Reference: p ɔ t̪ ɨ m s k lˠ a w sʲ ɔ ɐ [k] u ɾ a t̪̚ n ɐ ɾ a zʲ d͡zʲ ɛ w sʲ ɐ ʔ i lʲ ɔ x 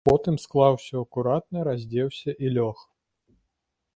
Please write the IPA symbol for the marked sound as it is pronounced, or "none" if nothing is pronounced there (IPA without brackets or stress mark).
k